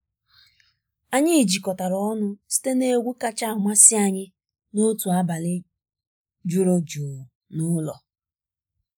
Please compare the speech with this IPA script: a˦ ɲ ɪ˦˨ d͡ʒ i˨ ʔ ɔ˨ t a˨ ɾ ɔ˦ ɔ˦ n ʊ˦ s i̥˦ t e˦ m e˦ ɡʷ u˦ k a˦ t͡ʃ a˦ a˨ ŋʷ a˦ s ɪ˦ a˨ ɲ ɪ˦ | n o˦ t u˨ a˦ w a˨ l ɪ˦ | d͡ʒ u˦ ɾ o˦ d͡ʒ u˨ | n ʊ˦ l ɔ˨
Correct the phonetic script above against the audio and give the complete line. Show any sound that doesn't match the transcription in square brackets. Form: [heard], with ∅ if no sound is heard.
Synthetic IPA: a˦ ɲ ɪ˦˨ d͡ʒ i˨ [k] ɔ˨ t a˨ ɾ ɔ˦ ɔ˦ n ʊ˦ s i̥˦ t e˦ [n] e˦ ɡʷ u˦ k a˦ t͡ʃ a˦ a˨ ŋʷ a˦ s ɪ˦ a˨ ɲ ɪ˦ | n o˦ t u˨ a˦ [b] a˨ l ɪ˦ | d͡ʒ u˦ ɾ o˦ d͡ʒ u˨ | n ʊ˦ l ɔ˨